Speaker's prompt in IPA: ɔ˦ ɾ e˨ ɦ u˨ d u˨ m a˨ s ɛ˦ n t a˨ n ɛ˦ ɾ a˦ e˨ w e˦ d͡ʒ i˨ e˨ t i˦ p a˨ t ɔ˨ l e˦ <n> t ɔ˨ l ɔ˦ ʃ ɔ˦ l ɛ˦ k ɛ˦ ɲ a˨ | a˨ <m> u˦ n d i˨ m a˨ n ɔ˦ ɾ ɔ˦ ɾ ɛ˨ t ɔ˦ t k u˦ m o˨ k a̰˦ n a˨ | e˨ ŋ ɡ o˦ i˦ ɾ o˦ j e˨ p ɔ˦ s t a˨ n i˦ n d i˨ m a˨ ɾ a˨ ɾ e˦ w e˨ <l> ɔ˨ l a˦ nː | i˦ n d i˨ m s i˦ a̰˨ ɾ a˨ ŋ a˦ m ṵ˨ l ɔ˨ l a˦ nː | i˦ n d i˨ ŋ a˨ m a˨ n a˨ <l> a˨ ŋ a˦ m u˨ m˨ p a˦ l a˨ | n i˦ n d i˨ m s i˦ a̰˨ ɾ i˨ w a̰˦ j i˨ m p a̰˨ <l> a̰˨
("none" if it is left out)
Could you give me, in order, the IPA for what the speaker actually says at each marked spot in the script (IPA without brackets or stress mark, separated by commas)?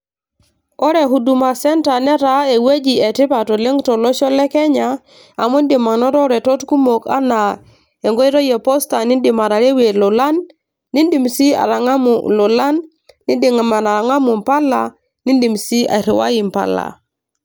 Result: ŋ, m, l, ɾ, l